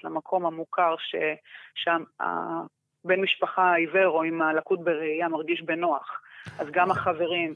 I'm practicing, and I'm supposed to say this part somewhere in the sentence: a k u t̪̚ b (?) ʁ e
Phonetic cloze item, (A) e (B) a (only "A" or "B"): A